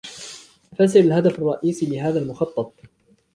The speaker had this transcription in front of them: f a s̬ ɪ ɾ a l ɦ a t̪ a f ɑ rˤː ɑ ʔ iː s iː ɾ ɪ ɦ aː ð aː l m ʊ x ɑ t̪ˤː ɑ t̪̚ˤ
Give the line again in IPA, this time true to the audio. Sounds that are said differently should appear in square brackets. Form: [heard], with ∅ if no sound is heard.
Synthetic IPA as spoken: f a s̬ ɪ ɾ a l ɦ a [d̪] a f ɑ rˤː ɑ ʔ iː s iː [l] ɪ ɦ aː ð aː l m ʊ x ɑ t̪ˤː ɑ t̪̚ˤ